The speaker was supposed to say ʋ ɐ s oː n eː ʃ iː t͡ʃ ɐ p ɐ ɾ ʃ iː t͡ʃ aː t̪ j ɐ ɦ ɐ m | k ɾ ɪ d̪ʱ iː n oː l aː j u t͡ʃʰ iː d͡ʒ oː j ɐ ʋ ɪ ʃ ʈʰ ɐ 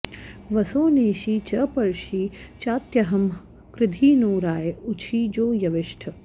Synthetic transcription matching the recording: ʋ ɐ s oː n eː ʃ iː t͡ʃ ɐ p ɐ ɾ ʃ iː t͡ʃ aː t̪ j ɐ ɦ ɐ m | k ɾ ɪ d̪ʱ iː n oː ɾ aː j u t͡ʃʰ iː d͡ʒ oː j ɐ ʋ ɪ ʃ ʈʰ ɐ